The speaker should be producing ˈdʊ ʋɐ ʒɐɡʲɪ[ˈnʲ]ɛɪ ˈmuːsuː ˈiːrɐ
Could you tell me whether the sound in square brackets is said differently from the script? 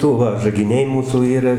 no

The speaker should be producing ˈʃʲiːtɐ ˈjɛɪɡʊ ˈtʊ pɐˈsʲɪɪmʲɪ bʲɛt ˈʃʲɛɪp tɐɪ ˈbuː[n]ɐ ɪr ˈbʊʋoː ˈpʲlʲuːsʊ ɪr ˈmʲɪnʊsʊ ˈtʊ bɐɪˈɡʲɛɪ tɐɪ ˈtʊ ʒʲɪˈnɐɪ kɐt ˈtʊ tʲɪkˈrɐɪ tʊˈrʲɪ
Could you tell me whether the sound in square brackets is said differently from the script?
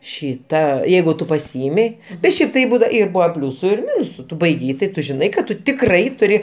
yes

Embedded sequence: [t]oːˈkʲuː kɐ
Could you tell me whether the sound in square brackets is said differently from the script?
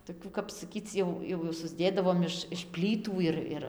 no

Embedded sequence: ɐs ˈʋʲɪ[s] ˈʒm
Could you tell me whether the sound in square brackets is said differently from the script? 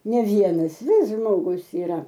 no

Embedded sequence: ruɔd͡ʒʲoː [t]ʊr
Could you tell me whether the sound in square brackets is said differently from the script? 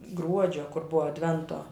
yes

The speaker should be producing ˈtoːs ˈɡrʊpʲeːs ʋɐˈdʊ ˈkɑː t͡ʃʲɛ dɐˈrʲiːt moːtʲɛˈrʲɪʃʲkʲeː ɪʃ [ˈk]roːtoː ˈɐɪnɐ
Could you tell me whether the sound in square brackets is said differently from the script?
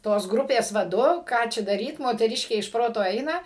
yes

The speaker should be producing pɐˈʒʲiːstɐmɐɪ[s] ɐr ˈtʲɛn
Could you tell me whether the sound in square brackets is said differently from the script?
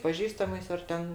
no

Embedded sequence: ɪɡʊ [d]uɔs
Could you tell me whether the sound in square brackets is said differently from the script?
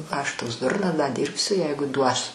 no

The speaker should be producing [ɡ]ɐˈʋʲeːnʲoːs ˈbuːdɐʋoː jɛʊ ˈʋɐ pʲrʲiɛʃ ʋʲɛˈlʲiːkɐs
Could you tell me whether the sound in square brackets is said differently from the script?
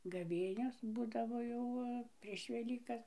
no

